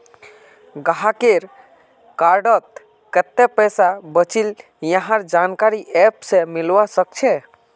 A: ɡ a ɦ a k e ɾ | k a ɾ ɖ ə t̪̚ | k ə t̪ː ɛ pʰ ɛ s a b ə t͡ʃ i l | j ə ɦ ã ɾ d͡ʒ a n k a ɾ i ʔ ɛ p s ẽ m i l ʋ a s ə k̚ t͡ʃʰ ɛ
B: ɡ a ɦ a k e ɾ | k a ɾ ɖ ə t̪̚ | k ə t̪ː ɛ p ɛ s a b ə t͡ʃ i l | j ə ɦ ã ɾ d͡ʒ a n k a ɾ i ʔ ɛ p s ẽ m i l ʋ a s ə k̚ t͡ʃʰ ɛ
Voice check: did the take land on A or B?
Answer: B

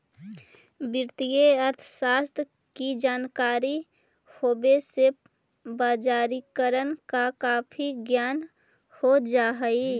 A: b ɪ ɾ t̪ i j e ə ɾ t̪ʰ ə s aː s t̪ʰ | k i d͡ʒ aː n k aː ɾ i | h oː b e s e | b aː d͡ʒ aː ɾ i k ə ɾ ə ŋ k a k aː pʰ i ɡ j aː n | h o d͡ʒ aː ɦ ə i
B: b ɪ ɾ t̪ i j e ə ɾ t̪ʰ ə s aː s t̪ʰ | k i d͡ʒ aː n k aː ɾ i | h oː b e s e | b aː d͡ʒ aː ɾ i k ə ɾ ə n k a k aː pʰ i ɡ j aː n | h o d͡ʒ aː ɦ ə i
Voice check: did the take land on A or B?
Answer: B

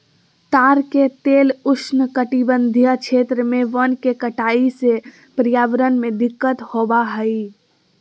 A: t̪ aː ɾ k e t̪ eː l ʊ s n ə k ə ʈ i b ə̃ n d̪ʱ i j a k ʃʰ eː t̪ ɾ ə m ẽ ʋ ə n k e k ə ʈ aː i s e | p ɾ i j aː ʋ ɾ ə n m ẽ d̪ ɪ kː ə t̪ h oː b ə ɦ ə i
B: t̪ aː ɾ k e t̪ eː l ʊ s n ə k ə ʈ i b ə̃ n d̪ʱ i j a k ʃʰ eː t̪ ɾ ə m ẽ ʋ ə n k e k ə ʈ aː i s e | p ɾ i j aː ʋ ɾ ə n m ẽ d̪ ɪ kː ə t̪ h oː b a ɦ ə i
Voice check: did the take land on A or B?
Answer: B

